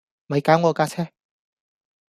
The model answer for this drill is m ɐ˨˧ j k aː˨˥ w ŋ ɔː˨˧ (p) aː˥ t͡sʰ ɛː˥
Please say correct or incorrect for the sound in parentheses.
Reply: incorrect